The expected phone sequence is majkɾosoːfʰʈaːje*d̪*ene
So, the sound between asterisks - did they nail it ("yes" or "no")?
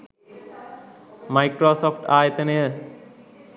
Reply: no